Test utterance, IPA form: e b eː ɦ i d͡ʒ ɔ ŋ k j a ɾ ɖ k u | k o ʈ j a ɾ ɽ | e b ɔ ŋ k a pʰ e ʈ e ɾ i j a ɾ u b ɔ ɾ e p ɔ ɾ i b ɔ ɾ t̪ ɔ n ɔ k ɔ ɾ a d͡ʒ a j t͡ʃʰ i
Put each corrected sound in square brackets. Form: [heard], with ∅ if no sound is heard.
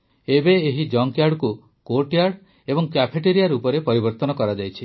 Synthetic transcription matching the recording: e b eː ɦ i d͡ʒ ɔ ŋ k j a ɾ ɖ k u | k o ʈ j a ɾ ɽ | e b ɔ ŋ k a pʰ e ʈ e ɾ i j a ɾ u [p] ɔ ɾ e p ɔ ɾ i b ɔ ɾ t̪ ɔ n ɔ k ɔ ɾ a d͡ʒ a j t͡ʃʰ i